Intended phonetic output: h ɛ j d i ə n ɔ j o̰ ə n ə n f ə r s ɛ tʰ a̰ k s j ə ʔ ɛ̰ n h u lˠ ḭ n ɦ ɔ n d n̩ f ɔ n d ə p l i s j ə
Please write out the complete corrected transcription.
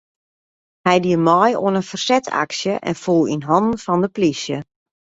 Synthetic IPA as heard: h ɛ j d i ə m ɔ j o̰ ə n ə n f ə r s ɛ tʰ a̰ k s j ə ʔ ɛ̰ n f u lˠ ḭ n ɦ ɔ n d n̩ f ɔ n d ə p l i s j ə

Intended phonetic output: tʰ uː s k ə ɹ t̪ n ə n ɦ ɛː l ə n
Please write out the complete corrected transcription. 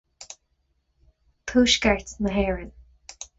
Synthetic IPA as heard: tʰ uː ʃ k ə ɹ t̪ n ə ɦ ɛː ɹ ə n

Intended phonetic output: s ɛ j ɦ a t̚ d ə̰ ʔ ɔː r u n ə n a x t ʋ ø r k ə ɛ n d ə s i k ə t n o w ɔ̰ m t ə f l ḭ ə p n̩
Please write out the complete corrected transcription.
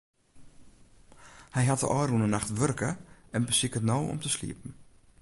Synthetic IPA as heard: h ɛ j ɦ a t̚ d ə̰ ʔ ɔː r u n ə n a x t ʋ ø r k ə ɛ n b ə s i k ə t n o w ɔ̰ m t ə s l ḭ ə p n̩

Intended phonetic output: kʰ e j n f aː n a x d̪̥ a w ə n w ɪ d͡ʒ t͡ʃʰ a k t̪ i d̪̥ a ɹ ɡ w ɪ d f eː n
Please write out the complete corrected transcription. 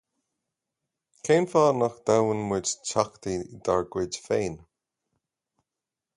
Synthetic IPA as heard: kʰ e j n f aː n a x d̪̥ a w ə n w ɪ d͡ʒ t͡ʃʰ a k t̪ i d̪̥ a ɹ ɡ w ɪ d f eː n

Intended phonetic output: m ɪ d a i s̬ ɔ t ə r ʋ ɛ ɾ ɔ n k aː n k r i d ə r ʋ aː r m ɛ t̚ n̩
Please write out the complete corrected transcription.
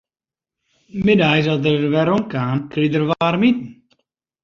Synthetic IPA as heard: m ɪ d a j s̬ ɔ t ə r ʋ ɛ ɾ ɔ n k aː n k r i d ə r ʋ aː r m i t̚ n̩

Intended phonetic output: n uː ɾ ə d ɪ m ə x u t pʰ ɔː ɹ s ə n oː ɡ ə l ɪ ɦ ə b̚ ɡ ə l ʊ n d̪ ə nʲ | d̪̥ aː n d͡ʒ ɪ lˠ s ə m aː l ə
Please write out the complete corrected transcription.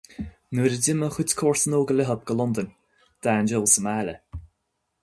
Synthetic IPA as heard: n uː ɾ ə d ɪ m ə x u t kʰ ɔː ɹ s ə n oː ɡ ə l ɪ ɦ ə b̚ ɡ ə l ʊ n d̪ ə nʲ | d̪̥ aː n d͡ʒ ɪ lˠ s ə m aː l ə

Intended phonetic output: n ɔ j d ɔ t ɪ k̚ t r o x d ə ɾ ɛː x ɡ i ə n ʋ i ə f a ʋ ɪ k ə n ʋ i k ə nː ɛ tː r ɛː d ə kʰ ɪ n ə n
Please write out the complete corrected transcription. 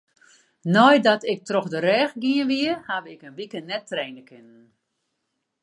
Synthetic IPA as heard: n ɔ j d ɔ t ɪ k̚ t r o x d ə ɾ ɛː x ɡ i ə n ʋ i ə h a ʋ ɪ k ə n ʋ i k ə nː ɛ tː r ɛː n ə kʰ ɪ n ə n

